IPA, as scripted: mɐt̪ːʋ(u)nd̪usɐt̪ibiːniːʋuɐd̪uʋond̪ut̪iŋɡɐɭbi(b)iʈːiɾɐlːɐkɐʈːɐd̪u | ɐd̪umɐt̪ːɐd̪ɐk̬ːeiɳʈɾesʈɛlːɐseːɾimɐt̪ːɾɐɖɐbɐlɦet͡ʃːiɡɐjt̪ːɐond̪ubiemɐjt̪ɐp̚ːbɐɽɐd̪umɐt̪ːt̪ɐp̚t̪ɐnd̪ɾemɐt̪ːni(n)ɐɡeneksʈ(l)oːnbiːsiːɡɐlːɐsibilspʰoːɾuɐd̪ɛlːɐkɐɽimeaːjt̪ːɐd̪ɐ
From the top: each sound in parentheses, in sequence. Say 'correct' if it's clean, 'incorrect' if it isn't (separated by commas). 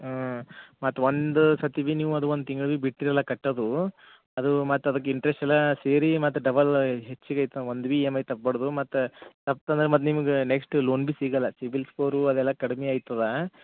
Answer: incorrect, correct, incorrect, correct